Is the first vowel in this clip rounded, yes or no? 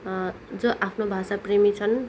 yes